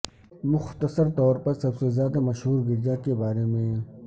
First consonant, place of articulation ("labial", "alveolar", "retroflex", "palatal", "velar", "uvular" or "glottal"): labial